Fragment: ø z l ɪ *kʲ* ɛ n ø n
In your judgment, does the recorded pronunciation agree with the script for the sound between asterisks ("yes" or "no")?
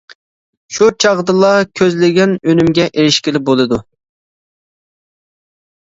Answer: no